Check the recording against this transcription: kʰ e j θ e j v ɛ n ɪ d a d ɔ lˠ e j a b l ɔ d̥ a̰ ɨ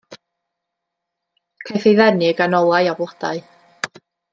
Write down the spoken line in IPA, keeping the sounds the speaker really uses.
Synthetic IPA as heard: kʰ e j θ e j ð ɛ n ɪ ɡ a n ɔ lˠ a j a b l ɔ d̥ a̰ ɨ